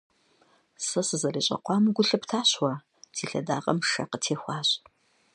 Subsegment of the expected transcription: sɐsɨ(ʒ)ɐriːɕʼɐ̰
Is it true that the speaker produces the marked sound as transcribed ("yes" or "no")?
no